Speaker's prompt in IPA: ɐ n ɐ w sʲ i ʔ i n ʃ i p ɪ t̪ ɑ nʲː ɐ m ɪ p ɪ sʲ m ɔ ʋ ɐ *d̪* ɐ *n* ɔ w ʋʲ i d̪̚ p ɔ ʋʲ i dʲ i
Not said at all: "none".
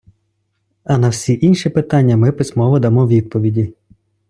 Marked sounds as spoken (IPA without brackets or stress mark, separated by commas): d̪, m